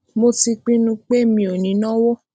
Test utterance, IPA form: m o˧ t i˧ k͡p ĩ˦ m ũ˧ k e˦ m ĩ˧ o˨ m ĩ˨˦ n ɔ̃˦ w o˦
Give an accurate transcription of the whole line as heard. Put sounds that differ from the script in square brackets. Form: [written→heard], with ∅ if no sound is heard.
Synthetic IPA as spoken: m o˧ t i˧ k͡p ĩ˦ [m→n] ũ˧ [k→k͡p] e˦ m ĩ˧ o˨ [m→n] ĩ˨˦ n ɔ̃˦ w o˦

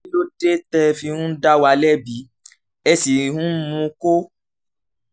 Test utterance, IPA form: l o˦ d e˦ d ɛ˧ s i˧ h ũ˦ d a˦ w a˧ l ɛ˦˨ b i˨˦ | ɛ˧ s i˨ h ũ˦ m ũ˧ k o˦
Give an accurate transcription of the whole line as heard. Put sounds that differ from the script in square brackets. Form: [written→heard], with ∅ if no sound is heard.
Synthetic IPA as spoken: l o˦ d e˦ [d→t] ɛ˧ [s→f] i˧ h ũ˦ d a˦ w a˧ l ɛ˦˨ b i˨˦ | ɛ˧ s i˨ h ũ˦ m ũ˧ k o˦

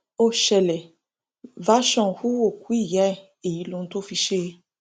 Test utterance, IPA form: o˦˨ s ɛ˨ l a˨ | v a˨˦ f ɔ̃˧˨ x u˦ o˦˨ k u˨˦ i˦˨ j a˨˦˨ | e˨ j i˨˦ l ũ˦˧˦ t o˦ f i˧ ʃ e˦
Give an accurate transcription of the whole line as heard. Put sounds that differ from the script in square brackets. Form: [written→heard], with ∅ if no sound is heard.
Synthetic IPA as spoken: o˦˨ [s→ʃ] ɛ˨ l [a˨→ɛ˨] | v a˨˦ [f→ʃ] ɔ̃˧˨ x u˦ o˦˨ k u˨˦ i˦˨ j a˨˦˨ | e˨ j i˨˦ l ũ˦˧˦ t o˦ f i˧ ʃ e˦

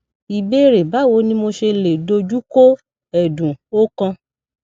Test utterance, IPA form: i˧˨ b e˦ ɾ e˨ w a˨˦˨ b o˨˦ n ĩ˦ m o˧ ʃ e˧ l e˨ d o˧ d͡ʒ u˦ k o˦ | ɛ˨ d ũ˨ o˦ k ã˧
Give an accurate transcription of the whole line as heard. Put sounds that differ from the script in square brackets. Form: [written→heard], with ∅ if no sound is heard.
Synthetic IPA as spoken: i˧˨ b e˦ ɾ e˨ [w→b] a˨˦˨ [b→w] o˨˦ n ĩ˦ m o˧ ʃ e˧ l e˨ d o˧ d͡ʒ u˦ k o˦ | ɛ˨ d ũ˨ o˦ k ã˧

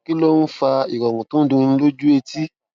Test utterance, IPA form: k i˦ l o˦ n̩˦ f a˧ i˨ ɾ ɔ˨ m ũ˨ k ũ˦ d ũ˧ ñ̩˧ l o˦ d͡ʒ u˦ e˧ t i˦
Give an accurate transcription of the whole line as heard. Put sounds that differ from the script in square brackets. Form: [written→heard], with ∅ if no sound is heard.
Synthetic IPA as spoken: k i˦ l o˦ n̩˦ f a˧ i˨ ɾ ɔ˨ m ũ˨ [k→t] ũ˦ d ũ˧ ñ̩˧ l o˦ d͡ʒ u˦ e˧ t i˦

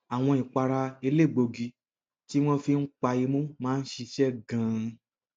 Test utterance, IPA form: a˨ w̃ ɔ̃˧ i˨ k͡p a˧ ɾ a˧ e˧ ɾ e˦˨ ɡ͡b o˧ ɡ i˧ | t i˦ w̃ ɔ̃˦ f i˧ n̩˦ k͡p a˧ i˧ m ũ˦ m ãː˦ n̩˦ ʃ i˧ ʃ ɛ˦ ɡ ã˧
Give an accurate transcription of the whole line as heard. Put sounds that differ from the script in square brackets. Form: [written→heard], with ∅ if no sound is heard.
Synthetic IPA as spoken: a˨ w̃ ɔ̃˧ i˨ k͡p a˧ ɾ a˧ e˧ [ɾ→l] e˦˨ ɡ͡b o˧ ɡ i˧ | t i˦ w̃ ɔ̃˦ f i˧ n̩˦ k͡p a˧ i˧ m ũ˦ m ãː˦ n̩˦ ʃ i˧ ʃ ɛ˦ ɡ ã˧

